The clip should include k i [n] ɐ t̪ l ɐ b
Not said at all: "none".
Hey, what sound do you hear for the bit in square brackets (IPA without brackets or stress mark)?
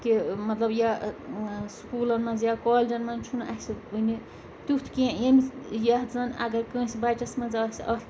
m